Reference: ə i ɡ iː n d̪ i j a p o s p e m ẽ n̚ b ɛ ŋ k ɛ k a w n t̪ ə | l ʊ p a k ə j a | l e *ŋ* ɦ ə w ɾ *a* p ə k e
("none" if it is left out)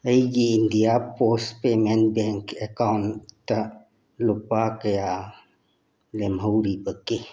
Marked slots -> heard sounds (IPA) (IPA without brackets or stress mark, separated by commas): m, i